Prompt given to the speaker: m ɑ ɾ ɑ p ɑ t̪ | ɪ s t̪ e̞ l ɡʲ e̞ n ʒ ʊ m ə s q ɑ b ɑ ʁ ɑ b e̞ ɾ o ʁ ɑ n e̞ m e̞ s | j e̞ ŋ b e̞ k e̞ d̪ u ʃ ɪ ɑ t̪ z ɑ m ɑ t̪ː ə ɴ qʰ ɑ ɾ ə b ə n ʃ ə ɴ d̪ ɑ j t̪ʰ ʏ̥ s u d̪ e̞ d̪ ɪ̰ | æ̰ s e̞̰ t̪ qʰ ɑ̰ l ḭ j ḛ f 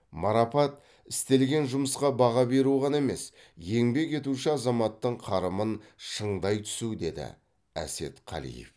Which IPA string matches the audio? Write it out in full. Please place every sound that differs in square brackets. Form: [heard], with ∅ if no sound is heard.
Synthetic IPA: m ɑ ɾ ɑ p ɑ t̪ | ɪ s t̪ e̞ l ɡʲ e̞ n ʒ ʊ m ə s q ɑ b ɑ ʁ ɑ b e̞ ɾ [u] ʁ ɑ n e̞ m e̞ s | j e̞ ŋ b e̞ k e̞ [t̪] u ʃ ɪ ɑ [∅] z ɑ m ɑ t̪ː ə ɴ qʰ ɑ ɾ ə [m] ə n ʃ ə ɴ d̪ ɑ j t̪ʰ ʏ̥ s u d̪ e̞ d̪ ɪ̰ | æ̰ s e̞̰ t̪ qʰ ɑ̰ l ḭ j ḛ f